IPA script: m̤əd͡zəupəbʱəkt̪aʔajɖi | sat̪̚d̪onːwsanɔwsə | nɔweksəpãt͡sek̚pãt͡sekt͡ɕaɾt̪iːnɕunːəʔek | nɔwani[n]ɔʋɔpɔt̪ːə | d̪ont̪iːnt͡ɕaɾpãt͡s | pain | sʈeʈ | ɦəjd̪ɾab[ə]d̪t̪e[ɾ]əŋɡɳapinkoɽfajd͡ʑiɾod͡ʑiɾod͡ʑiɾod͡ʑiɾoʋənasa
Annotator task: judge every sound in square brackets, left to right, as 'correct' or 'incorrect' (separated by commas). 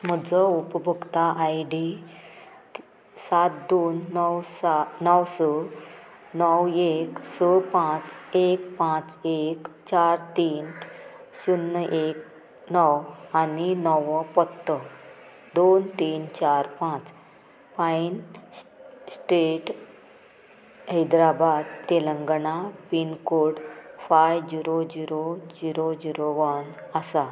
correct, incorrect, incorrect